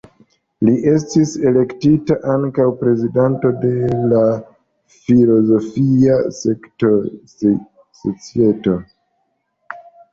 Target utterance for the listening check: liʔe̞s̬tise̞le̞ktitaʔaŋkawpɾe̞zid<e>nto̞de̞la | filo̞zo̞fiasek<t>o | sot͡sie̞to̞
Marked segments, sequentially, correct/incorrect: incorrect, correct

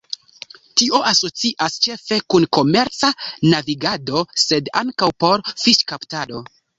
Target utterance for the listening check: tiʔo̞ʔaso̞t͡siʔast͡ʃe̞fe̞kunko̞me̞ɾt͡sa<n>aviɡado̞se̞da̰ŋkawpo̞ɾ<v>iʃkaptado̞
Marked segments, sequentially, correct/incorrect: correct, incorrect

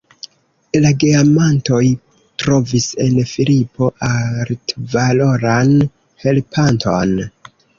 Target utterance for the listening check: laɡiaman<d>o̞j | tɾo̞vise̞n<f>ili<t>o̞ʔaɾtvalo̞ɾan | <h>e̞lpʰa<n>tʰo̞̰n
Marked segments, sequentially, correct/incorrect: incorrect, correct, incorrect, correct, correct

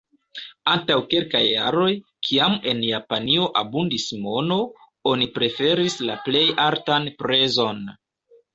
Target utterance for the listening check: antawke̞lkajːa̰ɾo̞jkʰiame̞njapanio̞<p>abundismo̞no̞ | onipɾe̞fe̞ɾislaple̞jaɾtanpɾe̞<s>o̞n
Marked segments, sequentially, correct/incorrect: incorrect, incorrect

